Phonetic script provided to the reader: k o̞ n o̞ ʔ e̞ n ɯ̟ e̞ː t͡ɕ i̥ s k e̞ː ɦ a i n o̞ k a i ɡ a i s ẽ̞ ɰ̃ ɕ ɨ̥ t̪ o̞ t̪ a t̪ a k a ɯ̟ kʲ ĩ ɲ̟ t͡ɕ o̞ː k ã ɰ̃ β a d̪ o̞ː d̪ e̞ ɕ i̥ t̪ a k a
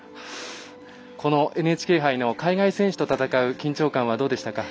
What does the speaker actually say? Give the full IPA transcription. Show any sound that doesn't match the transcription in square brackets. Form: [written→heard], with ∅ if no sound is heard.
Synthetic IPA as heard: k o̞ n o̞ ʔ e̞ n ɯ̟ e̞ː t͡ɕ i̥ [s→∅] k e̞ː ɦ a i n o̞ k a i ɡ a i s ẽ̞ ɰ̃ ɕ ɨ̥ t̪ o̞ t̪ a t̪ a k a ɯ̟ kʲ ĩ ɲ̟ t͡ɕ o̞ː k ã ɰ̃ β a d̪ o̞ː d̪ e̞ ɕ i̥ t̪ a k a